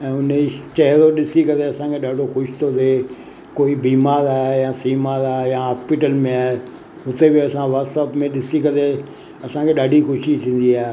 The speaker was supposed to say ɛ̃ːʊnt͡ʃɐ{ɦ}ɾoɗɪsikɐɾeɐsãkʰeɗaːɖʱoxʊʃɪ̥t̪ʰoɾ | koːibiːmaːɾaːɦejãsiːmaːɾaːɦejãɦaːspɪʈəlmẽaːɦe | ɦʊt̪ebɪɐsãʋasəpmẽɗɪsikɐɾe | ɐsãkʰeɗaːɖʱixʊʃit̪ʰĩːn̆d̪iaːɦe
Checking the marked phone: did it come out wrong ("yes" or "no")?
no